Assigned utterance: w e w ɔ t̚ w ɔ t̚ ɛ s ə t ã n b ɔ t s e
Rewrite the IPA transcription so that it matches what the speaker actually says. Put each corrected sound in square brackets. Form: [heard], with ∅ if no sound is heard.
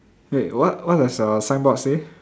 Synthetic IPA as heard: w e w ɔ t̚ w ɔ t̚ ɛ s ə [s] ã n b ɔ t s e